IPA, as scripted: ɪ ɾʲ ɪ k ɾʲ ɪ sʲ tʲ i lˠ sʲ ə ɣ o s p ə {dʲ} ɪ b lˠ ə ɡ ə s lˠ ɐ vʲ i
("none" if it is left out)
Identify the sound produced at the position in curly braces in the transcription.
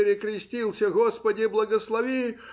dʲ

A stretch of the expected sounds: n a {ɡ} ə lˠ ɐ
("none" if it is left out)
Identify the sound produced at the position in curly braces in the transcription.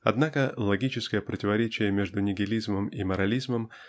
k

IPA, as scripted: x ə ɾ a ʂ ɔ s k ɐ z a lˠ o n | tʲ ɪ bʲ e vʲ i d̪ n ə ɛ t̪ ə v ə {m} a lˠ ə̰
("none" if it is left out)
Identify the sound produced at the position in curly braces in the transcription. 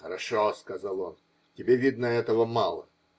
m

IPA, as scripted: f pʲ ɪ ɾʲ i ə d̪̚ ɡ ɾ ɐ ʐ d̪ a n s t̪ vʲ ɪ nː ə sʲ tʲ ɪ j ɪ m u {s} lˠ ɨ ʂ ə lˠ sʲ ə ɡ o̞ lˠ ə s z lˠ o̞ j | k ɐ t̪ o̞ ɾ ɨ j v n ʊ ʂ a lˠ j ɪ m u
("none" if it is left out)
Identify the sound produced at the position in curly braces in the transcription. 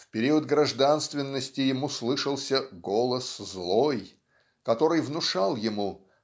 s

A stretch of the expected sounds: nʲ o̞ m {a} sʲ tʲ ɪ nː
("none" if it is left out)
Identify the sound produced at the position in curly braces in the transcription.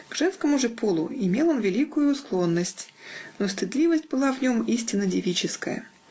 i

